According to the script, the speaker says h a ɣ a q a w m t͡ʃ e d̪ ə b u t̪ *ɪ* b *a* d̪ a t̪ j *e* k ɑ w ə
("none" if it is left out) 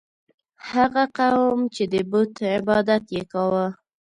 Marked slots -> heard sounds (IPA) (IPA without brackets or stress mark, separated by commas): ɪ, ɑ, e